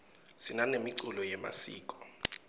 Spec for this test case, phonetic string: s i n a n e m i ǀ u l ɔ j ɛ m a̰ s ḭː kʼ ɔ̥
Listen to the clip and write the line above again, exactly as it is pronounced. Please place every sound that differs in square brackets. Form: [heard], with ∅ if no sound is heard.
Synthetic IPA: s i n a n e m i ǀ u l ɔ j ɛ m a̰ s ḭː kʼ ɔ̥